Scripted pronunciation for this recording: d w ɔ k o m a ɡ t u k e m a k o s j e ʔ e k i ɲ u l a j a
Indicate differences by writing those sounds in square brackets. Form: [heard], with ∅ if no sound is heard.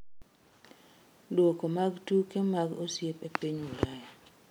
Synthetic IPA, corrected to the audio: d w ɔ k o m a ɡ t u k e m a [ɡ] o s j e [p] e [p] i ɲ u l a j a